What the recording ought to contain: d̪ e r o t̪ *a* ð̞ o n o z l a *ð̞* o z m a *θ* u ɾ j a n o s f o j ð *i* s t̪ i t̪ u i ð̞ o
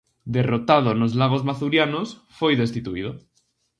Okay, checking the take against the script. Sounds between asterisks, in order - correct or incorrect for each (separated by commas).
correct, incorrect, correct, incorrect